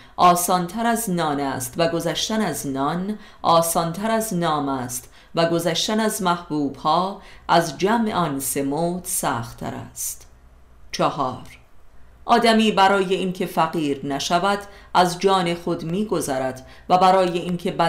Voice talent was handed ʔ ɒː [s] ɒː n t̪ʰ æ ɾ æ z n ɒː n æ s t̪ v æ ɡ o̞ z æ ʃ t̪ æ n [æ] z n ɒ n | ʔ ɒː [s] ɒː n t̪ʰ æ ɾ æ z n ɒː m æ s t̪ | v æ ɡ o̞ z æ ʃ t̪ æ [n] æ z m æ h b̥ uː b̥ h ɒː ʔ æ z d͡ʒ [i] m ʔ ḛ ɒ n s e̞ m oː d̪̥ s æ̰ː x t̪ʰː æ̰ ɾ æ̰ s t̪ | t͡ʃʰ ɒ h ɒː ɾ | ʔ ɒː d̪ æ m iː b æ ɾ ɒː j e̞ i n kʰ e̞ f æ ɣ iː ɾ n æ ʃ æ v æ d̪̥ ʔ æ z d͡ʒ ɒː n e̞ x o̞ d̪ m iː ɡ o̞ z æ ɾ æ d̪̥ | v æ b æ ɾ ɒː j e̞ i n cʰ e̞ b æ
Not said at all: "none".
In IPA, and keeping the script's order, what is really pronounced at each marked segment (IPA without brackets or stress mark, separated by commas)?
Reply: s, æ, s, n, æ